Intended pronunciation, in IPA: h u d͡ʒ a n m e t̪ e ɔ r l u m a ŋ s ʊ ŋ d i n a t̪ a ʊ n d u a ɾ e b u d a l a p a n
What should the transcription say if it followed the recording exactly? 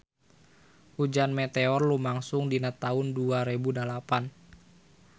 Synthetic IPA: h u d͡ʒ a n m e t̪ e ɔ r l u m a ŋ s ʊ ŋ d i n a t̪ a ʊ n d u a ɾ e b u d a l a p a n

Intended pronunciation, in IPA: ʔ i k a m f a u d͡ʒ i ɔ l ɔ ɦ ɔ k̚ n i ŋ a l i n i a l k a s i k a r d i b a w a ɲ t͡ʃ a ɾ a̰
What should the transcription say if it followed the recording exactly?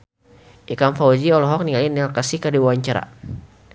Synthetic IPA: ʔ i k a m f a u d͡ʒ i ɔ l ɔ ɦ ɔ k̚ n i ŋ a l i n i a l k a s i k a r d i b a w a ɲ t͡ʃ a ɾ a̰

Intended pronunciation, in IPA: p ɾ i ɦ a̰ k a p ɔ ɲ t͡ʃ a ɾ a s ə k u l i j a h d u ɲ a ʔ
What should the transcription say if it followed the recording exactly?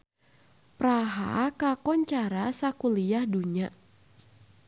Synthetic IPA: p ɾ a ɦ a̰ k a k ɔ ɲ t͡ʃ a ɾ a s a k u l i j a h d u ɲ a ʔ

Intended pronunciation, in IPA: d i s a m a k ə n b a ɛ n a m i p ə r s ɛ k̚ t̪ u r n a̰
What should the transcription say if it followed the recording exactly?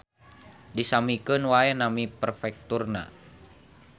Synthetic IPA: d i s a m i k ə n w a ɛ n a m i p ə r f ɛ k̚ t̪ u r n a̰

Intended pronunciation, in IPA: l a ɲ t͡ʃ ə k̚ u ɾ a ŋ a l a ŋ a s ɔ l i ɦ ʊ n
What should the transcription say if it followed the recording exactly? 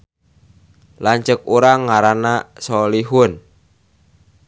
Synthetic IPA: l a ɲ t͡ʃ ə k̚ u ɾ a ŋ a ɾ a n a s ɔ l i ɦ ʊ n

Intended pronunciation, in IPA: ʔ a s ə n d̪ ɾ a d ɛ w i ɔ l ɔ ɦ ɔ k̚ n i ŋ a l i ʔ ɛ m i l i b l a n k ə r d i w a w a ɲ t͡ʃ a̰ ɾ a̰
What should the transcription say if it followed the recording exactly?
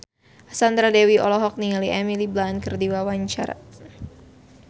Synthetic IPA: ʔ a s a n d̪ ɾ a d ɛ w i ɔ l ɔ ɦ ɔ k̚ n i ŋ a l i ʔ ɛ m i l i b l a n k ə r d i w a w a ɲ t͡ʃ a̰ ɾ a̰

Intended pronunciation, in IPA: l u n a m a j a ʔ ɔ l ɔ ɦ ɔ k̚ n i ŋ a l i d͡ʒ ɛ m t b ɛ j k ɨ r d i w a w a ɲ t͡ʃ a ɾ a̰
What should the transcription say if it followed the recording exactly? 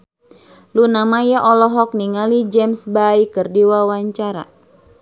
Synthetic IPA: l u n a m a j a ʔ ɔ l ɔ ɦ ɔ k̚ n i ŋ a l i d͡ʒ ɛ m s b a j k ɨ r d i w a w a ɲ t͡ʃ a ɾ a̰

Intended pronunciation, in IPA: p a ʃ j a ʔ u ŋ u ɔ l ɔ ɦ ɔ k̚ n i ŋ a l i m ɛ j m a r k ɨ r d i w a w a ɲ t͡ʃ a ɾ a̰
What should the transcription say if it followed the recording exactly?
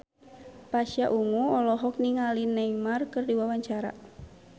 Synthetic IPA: p a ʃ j a ʔ u ŋ u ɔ l ɔ ɦ ɔ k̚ n i ŋ a l i n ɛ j m a r k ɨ r d i w a w a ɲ t͡ʃ a ɾ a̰

